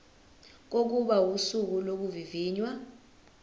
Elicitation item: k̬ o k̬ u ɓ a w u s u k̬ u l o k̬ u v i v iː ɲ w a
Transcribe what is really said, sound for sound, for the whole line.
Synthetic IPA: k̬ o k̬ u ɓ a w u s u k̬ u l o k̬ u v i v iː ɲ w a